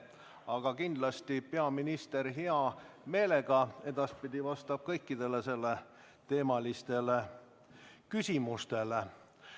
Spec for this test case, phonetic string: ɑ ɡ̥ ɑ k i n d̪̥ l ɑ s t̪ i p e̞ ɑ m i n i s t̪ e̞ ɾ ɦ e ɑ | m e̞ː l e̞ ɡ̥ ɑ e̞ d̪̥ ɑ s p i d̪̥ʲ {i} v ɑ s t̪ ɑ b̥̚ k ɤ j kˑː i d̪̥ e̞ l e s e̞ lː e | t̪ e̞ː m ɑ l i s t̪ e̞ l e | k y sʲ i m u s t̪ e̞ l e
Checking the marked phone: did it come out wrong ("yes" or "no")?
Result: no